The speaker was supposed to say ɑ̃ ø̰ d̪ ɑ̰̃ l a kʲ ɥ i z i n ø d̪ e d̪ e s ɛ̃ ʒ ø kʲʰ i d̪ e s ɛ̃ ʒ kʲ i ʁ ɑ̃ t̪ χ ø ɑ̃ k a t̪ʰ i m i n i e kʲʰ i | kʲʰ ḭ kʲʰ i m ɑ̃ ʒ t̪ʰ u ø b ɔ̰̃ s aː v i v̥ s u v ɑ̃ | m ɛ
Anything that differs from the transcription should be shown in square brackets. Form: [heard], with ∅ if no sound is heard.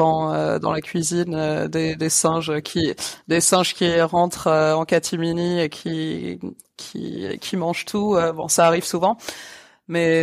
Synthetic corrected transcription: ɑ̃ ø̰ d̪ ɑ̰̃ l a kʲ ɥ i z i n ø d̪ e d̪ e s ɛ̃ ʒ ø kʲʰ i d̪ e s ɛ̃ ʒ kʲ i ʁ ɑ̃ t̪ χ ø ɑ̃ k a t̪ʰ i m i n i e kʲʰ i | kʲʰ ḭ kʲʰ i m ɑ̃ ʒ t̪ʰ u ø b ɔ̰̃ s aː [ʁ] i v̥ s u v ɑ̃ | m ɛ